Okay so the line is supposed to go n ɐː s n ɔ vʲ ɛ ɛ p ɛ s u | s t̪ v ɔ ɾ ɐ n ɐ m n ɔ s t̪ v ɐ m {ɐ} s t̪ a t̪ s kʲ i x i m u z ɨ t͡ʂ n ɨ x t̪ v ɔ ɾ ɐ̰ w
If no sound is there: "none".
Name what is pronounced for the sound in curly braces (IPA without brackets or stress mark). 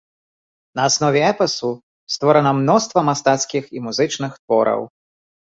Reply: a